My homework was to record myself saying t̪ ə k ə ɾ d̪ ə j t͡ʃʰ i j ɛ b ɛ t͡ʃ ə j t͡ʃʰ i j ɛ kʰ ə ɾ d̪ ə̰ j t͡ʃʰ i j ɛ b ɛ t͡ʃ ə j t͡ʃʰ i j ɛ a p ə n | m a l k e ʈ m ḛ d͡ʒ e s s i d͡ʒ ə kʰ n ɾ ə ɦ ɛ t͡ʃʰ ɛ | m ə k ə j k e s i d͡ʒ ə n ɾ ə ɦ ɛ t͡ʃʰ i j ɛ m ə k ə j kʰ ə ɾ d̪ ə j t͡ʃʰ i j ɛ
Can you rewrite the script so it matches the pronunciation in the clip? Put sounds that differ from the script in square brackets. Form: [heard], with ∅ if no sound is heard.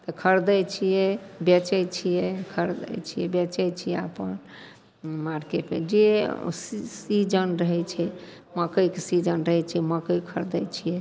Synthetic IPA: t̪ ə [kʰ] ə ɾ d̪ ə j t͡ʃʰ i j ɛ b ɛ t͡ʃ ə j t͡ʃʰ i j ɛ kʰ ə ɾ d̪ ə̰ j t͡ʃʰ i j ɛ b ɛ t͡ʃ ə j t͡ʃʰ i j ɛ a p ə n | m a [ɾ] k e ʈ m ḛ d͡ʒ e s s i d͡ʒ ə [∅] n ɾ ə ɦ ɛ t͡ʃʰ ɛ | m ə k ə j k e s i d͡ʒ ə n ɾ ə ɦ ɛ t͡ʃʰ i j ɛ m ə k ə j kʰ ə ɾ d̪ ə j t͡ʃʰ i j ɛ